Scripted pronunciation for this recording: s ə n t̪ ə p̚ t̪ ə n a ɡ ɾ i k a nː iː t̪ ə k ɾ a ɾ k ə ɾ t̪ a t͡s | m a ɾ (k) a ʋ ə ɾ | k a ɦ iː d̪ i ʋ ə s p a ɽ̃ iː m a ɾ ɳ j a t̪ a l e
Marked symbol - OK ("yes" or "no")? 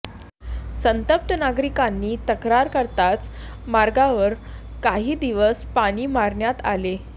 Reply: no